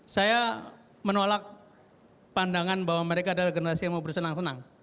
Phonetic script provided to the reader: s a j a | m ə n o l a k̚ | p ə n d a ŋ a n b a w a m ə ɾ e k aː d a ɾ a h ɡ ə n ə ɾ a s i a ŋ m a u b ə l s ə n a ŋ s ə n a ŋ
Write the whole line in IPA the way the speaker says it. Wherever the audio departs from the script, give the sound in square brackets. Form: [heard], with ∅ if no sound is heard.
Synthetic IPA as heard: s a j a | m ə n o l a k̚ | p [a] n d a ŋ a n b a w a m ə ɾ e k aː d a [l] a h ɡ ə n ə ɾ a s i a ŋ m a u b ə [r] s ə n a ŋ s ə n a ŋ